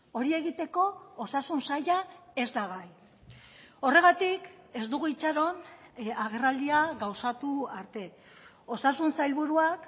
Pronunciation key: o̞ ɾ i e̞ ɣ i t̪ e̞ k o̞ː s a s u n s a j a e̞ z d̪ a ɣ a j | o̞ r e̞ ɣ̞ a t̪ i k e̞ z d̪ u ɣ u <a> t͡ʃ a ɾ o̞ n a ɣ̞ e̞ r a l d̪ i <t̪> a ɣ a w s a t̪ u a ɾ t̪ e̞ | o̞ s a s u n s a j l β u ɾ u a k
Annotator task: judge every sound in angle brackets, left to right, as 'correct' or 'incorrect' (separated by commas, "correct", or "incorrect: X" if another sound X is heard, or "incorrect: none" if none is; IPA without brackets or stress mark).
incorrect: i, incorrect: none